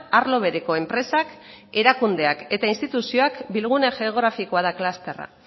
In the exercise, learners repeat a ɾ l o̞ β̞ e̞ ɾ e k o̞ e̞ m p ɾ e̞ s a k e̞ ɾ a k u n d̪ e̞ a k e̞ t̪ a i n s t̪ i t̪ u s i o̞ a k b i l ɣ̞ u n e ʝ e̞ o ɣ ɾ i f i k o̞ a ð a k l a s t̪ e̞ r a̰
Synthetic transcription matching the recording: a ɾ l o̞ β̞ e̞ ɾ e k o̞ e̞ m p ɾ e̞ s a k e̞ ɾ a k u n d̪ e̞ a k e̞ t̪ a i n s t̪ i t̪ u s i o̞ a k b i l ɣ̞ u n e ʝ e̞ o ɣ ɾ a f i k o̞ a ð a k l a s t̪ e̞ r a̰